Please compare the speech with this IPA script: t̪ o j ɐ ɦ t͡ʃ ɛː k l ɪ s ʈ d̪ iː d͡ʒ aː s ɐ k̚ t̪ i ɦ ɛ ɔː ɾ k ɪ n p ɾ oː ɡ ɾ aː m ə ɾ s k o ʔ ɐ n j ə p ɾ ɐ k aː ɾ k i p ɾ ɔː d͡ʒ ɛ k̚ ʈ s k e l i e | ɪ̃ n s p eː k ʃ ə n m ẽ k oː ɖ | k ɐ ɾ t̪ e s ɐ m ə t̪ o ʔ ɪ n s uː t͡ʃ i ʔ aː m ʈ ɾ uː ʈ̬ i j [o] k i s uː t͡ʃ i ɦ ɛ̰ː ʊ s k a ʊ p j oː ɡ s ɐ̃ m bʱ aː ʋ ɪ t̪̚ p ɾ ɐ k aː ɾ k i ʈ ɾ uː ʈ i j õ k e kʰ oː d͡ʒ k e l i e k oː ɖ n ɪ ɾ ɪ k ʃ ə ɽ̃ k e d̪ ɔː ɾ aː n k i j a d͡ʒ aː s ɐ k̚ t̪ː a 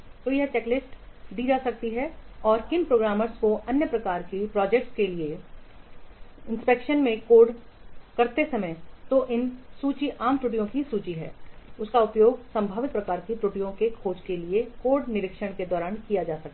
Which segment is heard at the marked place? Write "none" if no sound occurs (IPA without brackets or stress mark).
õ